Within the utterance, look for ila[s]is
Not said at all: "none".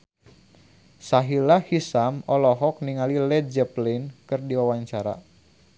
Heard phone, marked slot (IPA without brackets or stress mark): h